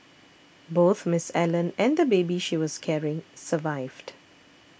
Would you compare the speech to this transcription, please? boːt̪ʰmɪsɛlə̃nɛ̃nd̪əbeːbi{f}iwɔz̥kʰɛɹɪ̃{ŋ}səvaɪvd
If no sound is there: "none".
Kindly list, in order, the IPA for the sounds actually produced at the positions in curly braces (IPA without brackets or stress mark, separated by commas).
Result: ʃ, ŋ